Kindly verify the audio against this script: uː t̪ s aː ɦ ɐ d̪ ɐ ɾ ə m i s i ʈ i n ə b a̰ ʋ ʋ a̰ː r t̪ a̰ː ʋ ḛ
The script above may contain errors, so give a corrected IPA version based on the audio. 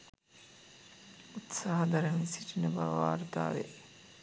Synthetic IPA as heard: u t̪ s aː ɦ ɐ d̪ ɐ ɾ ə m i s i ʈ i n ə b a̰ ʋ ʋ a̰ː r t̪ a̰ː ʋ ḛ